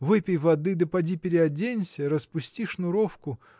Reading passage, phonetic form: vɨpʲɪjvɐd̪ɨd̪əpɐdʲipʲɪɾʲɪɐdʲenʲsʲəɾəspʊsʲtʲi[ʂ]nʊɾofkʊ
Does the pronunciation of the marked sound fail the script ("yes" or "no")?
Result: no